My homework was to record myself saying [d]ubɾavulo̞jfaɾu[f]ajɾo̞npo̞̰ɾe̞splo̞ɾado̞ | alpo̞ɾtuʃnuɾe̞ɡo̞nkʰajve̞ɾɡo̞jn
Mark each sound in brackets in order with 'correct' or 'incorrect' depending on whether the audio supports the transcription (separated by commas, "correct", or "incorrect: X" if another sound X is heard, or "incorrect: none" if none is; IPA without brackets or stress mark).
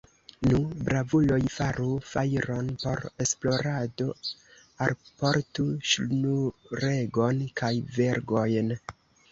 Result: incorrect: n, correct